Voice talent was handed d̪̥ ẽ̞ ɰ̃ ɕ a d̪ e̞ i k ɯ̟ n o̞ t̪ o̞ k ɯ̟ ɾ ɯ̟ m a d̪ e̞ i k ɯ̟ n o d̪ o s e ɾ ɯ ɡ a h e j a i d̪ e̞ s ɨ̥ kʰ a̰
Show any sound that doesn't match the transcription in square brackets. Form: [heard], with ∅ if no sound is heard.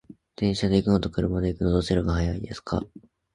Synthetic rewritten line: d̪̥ ẽ̞ ɰ̃ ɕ a d̪ e̞ i k ɯ̟ n o̞ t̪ o̞ k ɯ̟ ɾ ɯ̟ m a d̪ e̞ i k ɯ̟ n o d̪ o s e ɾ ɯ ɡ a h [a] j a i d̪ e̞ s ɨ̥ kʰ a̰

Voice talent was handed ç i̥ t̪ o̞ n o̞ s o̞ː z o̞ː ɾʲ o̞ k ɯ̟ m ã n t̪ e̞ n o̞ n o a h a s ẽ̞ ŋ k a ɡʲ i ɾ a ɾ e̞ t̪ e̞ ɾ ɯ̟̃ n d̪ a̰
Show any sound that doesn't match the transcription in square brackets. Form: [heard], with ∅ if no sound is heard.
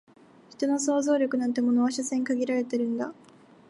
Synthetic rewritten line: ç i̥ t̪ o̞ n o̞ s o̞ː z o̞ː ɾʲ o̞ k ɯ̟ [n] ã n t̪ e̞ [m] o̞ n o a [ɕ] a s ẽ̞ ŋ k a ɡʲ i ɾ a ɾ e̞ t̪ e̞ ɾ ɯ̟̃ n d̪ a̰

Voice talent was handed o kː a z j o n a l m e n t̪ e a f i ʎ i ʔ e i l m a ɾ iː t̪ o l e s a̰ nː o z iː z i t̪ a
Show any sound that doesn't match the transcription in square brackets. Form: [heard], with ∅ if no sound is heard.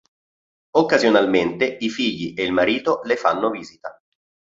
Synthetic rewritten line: o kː a z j o n a l m e n t̪ e [i] f i [ʎː] i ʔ e i l m a ɾ iː t̪ o l e [f] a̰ nː o [v] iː z i t̪ a

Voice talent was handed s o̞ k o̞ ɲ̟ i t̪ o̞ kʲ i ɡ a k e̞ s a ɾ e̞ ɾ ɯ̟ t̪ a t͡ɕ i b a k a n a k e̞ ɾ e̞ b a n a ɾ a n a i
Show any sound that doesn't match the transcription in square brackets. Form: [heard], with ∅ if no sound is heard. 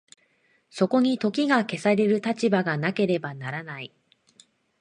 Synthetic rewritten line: s o̞ k o̞ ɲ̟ i t̪ o̞ kʲ i ɡ a k e̞ s a ɾ e̞ ɾ ɯ̟ t̪ a t͡ɕ i b a [ɡ] a n a k e̞ ɾ e̞ b a n a ɾ a n a i

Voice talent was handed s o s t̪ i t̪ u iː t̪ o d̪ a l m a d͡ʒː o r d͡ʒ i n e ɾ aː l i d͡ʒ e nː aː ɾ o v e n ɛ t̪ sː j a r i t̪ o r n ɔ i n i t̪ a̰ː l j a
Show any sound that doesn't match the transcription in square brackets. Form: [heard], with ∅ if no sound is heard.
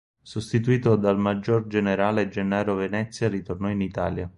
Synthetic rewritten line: s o s t̪ i t̪ u iː t̪ o d̪ a l m a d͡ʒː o r d͡ʒ [e] n e ɾ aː l [e] d͡ʒ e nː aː ɾ o v e n ɛ t̪ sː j a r i t̪ o r n ɔ i n i t̪ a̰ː l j a

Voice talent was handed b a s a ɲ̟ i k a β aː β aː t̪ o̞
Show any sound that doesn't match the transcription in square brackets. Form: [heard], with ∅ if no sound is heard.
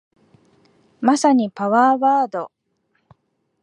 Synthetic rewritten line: [m] a s a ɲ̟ i [p] a β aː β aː [d̪] o̞

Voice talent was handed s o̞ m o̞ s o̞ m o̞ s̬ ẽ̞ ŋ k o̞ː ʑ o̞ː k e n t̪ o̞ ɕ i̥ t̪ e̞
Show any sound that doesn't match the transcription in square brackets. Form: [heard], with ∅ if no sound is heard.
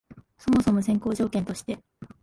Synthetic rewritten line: s o̞ m o̞ s o̞ m o̞ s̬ ẽ̞ ŋ k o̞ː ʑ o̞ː k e n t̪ o̞ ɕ i̥ t̪ e̞

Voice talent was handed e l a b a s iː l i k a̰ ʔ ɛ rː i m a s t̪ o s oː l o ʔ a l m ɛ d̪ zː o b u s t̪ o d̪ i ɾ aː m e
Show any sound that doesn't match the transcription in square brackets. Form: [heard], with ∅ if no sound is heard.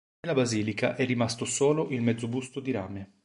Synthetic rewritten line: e l a b a [z] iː l i k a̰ ʔ ɛ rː i m a s t̪ o s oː l o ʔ [i] l m ɛ d̪ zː o b u s t̪ o d̪ i ɾ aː m e

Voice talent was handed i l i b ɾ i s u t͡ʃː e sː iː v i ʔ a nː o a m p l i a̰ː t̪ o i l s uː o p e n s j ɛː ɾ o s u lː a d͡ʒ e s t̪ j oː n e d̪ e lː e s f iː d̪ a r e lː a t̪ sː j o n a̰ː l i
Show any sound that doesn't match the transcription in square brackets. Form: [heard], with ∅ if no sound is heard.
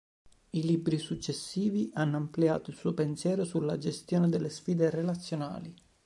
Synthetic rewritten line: i l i b ɾ i s u t͡ʃː e sː iː v i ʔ a nː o a m p l i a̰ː t̪ o i l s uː o p e n s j ɛː ɾ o s u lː a d͡ʒ e s t̪ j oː n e d̪ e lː e s f iː d̪ [e] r e [l] a t̪ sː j o n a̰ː l i

